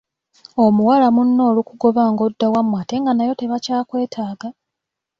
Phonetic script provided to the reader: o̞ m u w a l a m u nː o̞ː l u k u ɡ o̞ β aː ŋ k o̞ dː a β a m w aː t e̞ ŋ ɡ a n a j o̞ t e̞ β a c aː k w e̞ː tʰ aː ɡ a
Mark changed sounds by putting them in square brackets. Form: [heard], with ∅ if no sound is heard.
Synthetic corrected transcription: o̞ m u w a l a m u nː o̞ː l u k u ɡ o̞ β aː ŋ [ɡ] o̞ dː a [w] a m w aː t e̞ ŋ ɡ a n a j o̞ t e̞ β a c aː k w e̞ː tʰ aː ɡ a